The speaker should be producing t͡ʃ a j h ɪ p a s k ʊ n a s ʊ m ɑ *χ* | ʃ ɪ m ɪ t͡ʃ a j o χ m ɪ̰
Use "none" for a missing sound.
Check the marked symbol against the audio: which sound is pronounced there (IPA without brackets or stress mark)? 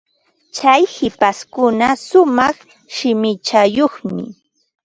χ